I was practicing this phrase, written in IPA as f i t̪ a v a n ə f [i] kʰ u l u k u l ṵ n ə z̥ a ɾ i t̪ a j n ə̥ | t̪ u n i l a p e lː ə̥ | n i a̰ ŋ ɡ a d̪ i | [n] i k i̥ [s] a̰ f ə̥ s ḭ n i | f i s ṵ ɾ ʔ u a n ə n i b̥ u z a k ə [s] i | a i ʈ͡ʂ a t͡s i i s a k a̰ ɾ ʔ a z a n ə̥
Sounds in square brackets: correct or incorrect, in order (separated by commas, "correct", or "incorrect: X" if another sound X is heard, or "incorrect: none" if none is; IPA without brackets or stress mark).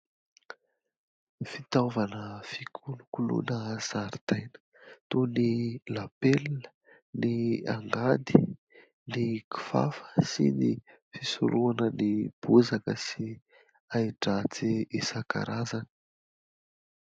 correct, correct, incorrect: f, correct